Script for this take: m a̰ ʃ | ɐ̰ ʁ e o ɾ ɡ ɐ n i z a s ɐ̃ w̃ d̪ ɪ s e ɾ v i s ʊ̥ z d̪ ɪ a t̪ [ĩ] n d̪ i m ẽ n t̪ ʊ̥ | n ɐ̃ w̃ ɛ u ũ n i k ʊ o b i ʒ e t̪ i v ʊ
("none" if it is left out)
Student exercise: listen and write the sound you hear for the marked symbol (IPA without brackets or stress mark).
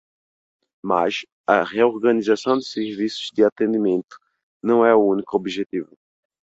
ẽ